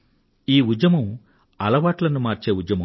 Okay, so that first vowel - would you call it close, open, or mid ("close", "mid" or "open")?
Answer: close